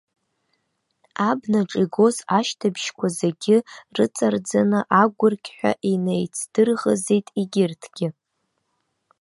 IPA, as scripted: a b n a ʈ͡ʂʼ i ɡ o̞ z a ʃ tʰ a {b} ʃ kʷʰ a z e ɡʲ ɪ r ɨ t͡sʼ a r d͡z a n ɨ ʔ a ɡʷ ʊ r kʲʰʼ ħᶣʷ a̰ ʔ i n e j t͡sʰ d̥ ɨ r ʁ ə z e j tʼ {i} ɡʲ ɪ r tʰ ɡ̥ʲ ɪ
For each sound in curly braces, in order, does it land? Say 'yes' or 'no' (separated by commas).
yes, yes